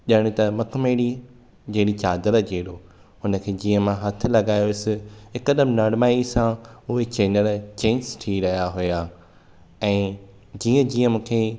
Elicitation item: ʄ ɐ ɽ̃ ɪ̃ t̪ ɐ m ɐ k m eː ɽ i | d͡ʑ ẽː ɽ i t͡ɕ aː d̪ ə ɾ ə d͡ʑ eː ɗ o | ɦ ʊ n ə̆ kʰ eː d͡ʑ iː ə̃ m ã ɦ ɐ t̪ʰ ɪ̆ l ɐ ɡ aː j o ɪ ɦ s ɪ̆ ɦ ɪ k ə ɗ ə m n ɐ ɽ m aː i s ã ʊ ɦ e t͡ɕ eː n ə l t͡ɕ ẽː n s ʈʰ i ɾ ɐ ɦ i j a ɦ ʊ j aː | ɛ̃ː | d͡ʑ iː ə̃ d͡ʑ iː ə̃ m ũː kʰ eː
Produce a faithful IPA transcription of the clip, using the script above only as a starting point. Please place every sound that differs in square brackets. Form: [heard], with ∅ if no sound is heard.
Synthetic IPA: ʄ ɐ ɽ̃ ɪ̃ t̪ ɐ m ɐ k m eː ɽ i | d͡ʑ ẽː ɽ i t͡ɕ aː d̪ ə ɾ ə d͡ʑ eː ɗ o | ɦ ʊ n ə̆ kʰ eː d͡ʑ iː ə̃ m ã ɦ ɐ t̪ʰ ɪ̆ l ɐ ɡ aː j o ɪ [∅] s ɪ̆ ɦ ɪ k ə ɗ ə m n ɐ ɽ m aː i s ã ʊ ɦ e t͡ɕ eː n ə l t͡ɕ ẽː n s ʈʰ i ɾ ɐ ɦ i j a ɦ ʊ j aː | ɛ̃ː | d͡ʑ iː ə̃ d͡ʑ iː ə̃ m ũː kʰ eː